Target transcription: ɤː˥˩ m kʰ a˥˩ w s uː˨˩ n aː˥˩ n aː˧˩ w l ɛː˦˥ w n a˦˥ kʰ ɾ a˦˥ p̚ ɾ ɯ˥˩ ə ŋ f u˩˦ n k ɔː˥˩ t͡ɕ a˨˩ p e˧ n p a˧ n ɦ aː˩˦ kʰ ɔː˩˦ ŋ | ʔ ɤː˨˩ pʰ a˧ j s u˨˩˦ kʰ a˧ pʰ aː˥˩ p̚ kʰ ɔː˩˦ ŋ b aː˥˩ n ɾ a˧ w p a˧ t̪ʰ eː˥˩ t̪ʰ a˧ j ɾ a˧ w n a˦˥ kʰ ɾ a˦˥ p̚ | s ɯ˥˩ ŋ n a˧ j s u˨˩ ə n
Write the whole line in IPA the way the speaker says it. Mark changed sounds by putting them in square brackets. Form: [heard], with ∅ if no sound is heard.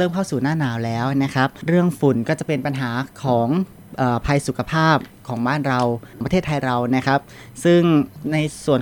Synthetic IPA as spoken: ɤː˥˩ m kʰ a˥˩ w s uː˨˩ n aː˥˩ n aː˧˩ w l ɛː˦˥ w n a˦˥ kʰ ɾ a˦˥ p̚ ɾ ɯ˥˩ ə ŋ f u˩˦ n k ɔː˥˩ t͡ɕ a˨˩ p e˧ n p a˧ n ɦ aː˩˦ kʰ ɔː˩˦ ŋ | ʔ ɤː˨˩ pʰ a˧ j s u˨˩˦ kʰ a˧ pʰ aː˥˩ p̚ kʰ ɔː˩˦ ŋ b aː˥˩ n ɾ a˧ w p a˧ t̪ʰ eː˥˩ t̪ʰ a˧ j ɾ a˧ w n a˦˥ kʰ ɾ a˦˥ p̚ | s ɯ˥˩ ŋ n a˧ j s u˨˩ ə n